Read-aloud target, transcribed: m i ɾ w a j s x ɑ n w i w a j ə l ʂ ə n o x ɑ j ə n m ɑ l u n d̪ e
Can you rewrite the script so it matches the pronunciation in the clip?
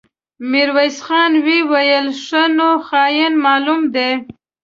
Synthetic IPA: m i ɾ w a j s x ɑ n w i w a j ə l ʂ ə n o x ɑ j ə n m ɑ l u m d̪ e